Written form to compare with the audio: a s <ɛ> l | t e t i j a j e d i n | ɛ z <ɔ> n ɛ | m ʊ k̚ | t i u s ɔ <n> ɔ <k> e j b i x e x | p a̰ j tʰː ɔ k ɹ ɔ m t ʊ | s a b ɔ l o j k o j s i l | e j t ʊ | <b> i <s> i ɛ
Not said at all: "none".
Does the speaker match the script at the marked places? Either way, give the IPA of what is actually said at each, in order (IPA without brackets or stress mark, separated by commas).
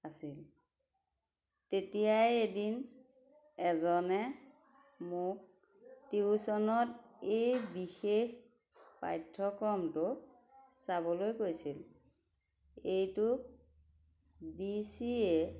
i, ɔ, n, t, b, s